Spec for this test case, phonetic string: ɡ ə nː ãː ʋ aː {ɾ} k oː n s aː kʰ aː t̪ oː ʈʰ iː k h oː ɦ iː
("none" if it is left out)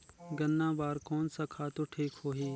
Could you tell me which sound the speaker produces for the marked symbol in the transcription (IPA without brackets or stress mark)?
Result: ɾ